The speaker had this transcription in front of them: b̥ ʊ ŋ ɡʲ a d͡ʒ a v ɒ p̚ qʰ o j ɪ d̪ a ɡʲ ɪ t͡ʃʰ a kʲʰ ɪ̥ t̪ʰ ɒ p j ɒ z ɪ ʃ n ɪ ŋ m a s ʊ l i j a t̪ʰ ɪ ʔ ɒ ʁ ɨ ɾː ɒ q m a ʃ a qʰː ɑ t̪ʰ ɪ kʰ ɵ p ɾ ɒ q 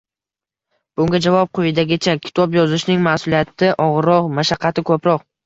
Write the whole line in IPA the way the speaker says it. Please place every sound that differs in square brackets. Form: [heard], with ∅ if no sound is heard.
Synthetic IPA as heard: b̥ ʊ ŋ ɡʲ a d͡ʒ a v ɒ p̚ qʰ o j ɪ d̪ a ɡʲ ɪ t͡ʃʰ a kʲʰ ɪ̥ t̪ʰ ɒ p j ɒ z ɪ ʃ n ɪ ŋ m a s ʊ l i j a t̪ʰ ɪ ʔ ɒ ʁ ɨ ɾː ɒ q m a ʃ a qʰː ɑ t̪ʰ ɪ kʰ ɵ p ɾ ɒ q